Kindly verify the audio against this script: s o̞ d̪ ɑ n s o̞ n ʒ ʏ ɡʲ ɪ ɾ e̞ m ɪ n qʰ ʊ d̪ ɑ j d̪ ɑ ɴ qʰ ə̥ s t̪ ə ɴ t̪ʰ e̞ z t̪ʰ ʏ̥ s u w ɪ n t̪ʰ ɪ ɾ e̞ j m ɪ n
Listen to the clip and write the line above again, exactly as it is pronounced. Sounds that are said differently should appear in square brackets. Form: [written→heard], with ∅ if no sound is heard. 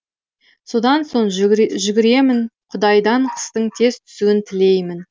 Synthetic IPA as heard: s o̞ d̪ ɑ n s o̞ [n→ɴ] ʒ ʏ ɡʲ ɪ ɾ e̞ m ɪ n qʰ ʊ d̪ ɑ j d̪ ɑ ɴ qʰ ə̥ s t̪ ə ɴ t̪ʰ e̞ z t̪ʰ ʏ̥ s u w ɪ n t̪ʰ ɪ [ɾ→l] e̞ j m ɪ n